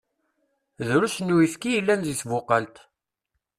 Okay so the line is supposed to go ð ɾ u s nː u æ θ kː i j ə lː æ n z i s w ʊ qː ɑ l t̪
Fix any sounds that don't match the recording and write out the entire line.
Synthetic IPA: ð ɾ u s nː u i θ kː i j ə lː æ n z i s v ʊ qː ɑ l t̪